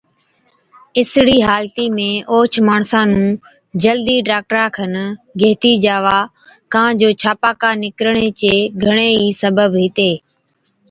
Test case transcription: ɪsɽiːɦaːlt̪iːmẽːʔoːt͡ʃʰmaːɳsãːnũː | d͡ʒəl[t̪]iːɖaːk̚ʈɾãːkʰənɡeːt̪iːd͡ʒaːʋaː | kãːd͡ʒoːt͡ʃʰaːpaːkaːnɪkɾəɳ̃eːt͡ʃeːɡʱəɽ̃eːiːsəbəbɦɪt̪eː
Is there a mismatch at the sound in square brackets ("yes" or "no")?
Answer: yes